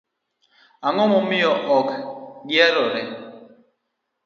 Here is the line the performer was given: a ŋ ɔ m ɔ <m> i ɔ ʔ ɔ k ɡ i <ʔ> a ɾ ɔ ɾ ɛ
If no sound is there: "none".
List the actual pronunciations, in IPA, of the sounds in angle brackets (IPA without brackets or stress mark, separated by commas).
m, none